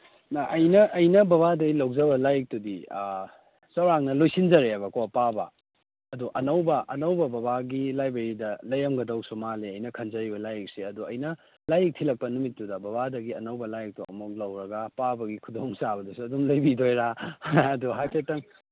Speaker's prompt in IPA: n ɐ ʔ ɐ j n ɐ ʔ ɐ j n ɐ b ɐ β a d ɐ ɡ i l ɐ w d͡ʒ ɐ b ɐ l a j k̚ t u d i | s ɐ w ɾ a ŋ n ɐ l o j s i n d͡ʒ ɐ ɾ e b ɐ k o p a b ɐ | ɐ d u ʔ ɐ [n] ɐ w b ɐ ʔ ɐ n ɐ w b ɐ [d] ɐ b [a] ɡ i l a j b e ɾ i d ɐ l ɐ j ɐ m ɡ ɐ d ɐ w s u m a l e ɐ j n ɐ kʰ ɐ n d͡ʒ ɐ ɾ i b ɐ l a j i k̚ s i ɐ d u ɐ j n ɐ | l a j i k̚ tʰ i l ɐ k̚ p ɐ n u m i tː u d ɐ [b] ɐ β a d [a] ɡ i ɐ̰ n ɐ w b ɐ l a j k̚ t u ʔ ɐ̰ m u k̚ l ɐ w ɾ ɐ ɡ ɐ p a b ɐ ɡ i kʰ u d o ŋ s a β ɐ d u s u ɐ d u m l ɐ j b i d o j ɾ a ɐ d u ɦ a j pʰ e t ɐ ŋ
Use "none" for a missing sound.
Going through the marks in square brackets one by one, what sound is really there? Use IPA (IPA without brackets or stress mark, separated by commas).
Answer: n, b, a, b, ɐ